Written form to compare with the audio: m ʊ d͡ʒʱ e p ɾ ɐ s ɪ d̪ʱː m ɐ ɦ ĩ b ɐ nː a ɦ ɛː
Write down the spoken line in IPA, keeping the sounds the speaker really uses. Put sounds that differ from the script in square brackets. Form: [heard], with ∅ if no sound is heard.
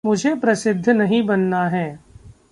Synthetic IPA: m ʊ d͡ʒʱ e p ɾ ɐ s ɪ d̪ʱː [n] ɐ ɦ ĩ b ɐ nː a ɦ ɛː